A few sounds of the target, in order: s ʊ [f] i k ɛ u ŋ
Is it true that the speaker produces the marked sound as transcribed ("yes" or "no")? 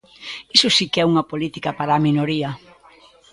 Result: no